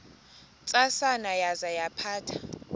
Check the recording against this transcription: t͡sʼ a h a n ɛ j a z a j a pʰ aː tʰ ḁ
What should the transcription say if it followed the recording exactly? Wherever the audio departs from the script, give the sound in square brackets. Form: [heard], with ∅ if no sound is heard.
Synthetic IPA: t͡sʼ a [s] a n [a] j a z a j a pʰ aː tʰ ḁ

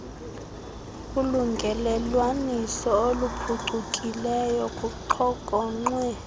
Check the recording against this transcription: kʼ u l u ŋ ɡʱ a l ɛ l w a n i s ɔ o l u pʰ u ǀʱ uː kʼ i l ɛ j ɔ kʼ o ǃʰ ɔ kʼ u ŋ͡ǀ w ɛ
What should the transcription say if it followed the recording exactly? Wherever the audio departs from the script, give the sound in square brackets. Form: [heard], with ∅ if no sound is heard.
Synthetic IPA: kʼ u l u ŋ ɡʱ [ɛ] l ɛ l w a n i s ɔ o l u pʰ u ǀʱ [u] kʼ i l ɛ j ɔ kʼ [u] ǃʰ ɔ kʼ [ɔ] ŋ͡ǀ w ɛ

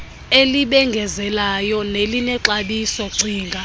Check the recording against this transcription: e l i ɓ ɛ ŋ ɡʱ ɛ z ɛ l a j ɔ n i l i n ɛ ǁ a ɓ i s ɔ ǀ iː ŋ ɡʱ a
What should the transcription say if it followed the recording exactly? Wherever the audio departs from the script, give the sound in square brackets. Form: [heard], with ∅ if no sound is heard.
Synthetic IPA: e l i ɓ ɛ ŋ ɡʱ ɛ z ɛ l a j ɔ n [e] l i n ɛ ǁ a ɓ i s ɔ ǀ iː ŋ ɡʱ a

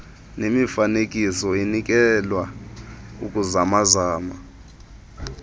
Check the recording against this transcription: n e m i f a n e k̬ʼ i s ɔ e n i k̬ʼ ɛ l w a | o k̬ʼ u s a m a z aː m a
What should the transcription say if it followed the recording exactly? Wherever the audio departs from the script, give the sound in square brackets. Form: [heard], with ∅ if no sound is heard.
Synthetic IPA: n e m i f a n e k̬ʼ i s ɔ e n i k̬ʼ ɛ l w a | [u] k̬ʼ u [z] a m a z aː m a

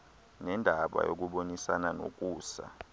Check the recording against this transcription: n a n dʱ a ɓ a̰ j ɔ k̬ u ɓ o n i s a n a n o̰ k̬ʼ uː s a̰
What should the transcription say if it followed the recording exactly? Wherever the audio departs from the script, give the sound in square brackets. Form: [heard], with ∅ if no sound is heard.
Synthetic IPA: n [ɛ] n dʱ a ɓ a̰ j [o] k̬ u ɓ o n i s a n a n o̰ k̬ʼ uː s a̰

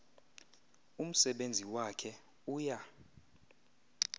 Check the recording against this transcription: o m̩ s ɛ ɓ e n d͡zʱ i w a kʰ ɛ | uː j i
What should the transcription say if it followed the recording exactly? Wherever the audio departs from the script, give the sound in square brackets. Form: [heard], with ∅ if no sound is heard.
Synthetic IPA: [u] m̩ s ɛ ɓ e n d͡zʱ i w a kʰ ɛ | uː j [a]

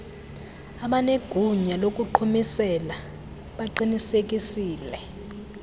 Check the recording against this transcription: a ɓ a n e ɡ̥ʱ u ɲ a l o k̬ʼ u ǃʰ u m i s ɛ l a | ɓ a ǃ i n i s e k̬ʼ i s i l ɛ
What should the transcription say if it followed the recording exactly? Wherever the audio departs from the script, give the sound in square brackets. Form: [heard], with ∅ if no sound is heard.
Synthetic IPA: a ɓ a n e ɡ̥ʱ u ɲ a l o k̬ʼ u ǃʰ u m i s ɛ l a | ɓ a ǃ i n i s e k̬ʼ i s [iː] l ɛ

